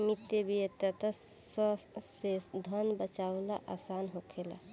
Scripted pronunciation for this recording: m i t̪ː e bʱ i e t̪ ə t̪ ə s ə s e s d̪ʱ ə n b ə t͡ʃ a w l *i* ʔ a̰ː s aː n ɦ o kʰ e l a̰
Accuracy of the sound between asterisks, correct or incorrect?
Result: incorrect